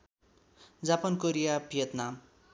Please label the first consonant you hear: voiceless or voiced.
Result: voiced